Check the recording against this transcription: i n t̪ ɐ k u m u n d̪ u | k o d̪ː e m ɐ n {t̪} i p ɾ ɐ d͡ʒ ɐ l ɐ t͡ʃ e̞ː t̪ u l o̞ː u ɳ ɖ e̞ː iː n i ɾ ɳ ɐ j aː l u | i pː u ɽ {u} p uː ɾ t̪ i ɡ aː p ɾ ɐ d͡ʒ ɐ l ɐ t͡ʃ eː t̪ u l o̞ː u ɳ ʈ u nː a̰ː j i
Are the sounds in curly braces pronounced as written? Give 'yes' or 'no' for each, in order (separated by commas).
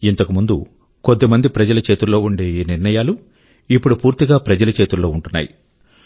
no, yes